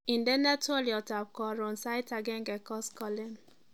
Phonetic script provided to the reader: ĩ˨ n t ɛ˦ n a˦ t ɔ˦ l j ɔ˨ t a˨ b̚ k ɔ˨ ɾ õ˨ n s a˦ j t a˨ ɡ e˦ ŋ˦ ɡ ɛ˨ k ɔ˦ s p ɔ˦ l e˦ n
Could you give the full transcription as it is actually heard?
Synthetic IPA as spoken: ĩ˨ n d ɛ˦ n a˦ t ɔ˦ l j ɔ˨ t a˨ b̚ k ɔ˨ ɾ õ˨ n s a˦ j t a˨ ɡ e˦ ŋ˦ ɡ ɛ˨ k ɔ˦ s k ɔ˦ l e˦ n